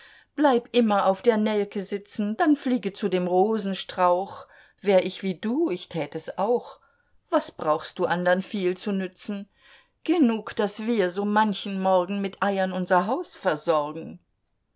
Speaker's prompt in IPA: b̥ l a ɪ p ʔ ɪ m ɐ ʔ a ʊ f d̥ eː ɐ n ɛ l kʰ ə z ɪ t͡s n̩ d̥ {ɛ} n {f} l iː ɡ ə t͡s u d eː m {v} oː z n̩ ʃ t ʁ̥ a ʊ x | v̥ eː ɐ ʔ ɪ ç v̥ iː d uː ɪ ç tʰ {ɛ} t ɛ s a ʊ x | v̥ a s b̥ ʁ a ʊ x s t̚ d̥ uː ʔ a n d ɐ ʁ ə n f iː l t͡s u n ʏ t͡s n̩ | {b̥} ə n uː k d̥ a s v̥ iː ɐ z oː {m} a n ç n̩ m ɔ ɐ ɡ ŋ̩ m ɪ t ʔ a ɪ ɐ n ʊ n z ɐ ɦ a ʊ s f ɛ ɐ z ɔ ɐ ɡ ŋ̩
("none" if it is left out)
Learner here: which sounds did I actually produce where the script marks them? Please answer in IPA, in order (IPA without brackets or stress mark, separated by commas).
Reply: a, f, ʁ, ɛː, ɡ̥, m